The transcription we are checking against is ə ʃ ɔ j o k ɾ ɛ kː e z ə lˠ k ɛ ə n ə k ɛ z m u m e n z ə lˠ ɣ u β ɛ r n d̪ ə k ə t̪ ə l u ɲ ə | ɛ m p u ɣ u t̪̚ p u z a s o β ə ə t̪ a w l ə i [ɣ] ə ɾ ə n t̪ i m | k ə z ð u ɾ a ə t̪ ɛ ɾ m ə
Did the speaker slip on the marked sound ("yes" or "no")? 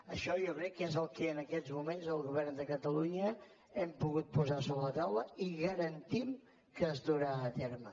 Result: no